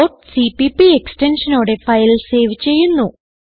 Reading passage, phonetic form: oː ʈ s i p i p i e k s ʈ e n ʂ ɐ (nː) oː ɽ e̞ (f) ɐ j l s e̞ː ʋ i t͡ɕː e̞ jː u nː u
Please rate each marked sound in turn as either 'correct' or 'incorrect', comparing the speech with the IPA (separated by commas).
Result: incorrect, correct